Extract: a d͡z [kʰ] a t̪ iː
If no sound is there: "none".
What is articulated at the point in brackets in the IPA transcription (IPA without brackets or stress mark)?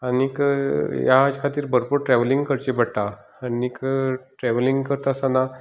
kʰ